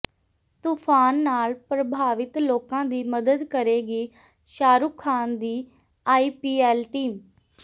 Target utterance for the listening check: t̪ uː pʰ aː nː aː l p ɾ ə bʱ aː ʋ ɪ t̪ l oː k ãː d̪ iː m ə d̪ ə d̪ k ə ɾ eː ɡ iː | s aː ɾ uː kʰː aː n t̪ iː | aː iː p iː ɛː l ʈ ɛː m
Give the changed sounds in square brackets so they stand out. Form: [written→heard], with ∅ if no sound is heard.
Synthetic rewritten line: t̪ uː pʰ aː nː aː l p ɾ ə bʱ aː ʋ ɪ t̪ l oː k ãː d̪ iː m ə d̪ ə d̪ k ə ɾ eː ɡ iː | [s→ʃ] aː ɾ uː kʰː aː n [t̪→d̪] iː | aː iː p iː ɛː l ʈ [ɛː→iː] m

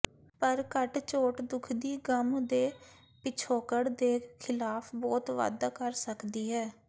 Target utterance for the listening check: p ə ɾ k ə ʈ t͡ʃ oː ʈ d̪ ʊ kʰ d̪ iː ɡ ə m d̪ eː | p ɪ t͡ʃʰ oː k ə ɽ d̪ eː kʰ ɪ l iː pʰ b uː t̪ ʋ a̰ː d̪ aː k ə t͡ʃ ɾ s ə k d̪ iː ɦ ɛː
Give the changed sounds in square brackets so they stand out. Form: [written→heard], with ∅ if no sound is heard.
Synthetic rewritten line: p ə ɾ k ə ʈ t͡ʃ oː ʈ d̪ ʊ kʰ d̪ iː ɡ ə m d̪ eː | p ɪ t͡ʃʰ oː k ə ɽ d̪ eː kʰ ɪ l [iː→aː] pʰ b [uː→ɔː] t̪ ʋ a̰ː d̪ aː k ə [t͡ʃ→∅] ɾ s ə k d̪ iː ɦ ɛː

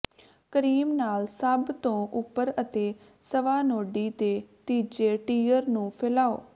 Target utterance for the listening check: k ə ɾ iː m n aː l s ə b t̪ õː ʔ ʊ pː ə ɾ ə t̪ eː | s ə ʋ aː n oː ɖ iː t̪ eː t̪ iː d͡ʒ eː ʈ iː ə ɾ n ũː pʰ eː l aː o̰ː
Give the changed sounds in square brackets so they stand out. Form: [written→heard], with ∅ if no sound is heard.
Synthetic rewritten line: k ə ɾ iː m n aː l s ə b t̪ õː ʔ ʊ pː ə ɾ ə t̪ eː | s ə ʋ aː n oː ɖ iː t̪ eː t̪ iː d͡ʒ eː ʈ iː ə ɾ n ũː pʰ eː l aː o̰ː

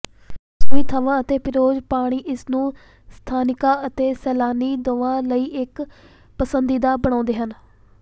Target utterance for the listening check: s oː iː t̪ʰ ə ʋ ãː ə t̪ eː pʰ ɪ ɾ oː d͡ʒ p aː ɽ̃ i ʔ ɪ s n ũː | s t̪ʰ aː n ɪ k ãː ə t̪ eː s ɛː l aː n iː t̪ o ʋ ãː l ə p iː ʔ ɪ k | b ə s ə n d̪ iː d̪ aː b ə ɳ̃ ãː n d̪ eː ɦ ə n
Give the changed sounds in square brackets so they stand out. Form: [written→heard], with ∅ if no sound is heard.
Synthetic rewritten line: s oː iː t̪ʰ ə ʋ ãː ə t̪ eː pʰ ɪ ɾ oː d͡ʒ p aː ɽ̃ [i→iː] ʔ ɪ s n ũː | s t̪ʰ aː n ɪ k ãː ə t̪ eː s ɛː l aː n iː [t̪→d̪] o ʋ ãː l ə [p→∅] iː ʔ ɪ k | [b→p] ə s ə n d̪ iː d̪ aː b ə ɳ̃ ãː n d̪ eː ɦ ə n

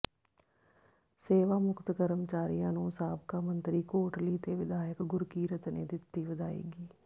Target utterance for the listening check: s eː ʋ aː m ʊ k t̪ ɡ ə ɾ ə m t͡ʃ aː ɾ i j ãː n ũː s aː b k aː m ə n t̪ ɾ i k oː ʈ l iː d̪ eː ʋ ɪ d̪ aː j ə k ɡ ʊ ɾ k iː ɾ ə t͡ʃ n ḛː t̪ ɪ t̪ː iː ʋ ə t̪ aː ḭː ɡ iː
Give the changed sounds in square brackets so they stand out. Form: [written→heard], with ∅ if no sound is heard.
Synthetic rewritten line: s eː ʋ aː m ʊ k t̪ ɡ ə ɾ ə m t͡ʃ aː ɾ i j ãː n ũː s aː b k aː m ə n t̪ ɾ [i→iː] k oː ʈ l iː [d̪→t̪] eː ʋ ɪ d̪ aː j ə k ɡ ʊ ɾ k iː ɾ ə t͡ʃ n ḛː [t̪→d̪] ɪ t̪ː iː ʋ ə [t̪→d̪] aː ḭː ɡ iː

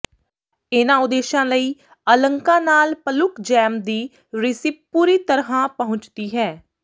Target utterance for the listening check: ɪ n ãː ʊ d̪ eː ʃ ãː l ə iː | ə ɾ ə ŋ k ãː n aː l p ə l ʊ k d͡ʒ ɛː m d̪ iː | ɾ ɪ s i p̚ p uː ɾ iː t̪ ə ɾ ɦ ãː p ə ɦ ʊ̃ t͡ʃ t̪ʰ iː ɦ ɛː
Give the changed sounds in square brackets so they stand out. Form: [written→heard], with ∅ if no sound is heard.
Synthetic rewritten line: ɪ n ãː ʊ d̪ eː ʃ ãː l ə iː | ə [ɾ→l] ə ŋ k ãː n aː l p ə l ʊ k d͡ʒ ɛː m d̪ iː | ɾ ɪ s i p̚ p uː ɾ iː t̪ ə ɾ ɦ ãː p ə ɦ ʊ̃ t͡ʃ [t̪ʰ→t̪] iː ɦ ɛː

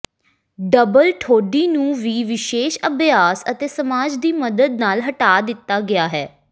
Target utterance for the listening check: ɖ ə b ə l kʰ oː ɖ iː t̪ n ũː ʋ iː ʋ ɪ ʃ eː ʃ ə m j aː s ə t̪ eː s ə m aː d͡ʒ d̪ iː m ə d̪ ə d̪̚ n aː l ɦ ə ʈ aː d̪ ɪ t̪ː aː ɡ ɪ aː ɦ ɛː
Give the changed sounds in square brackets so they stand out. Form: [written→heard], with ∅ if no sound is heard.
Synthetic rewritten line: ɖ ə b ə l [kʰ→ʈʰ] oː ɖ iː [t̪→∅] n ũː ʋ iː ʋ ɪ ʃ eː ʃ ə [m→b] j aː s ə t̪ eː s ə m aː d͡ʒ d̪ iː m ə d̪ ə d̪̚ n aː l ɦ ə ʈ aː d̪ ɪ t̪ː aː ɡ ɪ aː ɦ ɛː

